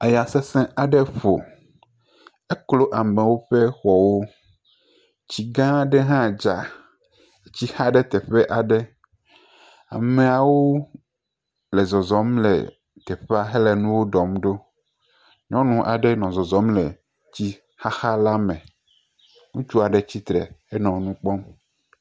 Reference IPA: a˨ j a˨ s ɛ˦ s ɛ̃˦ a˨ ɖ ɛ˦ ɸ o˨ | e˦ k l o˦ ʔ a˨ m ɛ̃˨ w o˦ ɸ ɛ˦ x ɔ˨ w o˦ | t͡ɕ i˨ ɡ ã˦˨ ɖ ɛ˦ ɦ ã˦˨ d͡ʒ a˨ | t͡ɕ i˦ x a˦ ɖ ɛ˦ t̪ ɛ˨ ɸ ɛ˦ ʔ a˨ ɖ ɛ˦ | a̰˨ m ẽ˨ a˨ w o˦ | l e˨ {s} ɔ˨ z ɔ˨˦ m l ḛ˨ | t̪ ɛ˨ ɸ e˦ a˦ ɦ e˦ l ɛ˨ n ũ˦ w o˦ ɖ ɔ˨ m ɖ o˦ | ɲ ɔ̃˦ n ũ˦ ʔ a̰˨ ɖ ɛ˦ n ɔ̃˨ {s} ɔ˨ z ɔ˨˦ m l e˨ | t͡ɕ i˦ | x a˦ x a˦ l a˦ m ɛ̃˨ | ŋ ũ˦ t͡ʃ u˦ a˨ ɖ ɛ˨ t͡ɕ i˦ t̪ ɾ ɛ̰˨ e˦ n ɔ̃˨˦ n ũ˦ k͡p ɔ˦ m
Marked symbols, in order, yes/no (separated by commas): no, no